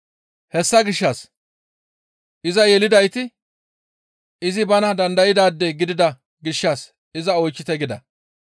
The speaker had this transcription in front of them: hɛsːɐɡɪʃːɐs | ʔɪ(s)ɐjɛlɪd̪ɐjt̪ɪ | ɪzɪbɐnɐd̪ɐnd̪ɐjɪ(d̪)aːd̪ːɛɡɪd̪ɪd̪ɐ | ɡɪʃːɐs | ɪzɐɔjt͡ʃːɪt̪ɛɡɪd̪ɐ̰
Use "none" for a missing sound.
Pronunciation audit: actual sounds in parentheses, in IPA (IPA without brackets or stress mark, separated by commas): z, d̪